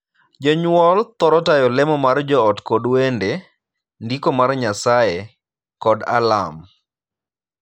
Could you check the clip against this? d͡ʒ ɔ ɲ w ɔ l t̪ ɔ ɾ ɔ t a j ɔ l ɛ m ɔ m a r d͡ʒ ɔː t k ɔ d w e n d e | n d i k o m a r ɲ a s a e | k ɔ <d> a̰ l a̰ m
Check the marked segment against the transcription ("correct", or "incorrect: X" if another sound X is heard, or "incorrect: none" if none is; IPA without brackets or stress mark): correct